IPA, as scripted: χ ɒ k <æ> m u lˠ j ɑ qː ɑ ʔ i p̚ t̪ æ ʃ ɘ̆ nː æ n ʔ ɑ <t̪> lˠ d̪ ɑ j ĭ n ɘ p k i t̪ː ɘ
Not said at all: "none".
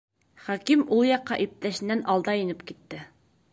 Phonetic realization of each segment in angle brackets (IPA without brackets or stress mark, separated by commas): i, none